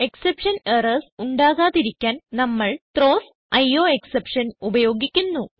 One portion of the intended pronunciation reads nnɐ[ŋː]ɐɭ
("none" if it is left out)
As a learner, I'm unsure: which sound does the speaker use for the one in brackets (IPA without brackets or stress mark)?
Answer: mː